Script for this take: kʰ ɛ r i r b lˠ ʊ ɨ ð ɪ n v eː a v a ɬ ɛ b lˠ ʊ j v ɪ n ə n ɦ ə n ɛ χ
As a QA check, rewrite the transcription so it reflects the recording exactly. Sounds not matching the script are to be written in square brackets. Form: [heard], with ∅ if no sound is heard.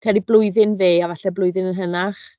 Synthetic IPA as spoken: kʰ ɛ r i [∅] b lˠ ʊ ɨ ð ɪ n v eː a v a ɬ ɛ b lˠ ʊ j [ð] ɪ n ə n ɦ ə n [a] χ